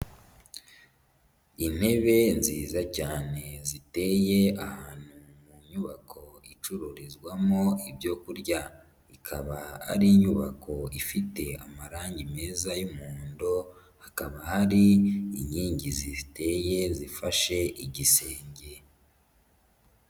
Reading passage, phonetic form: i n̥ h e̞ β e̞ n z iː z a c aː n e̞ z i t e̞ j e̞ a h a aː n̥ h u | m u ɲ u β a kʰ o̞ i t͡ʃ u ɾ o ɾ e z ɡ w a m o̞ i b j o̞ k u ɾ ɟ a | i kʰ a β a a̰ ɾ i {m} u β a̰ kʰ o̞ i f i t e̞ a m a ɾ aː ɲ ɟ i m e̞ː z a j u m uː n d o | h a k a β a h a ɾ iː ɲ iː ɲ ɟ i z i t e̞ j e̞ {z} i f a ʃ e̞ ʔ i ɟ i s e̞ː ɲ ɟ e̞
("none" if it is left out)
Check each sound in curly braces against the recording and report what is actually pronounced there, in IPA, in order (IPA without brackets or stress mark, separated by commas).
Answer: ɲ, z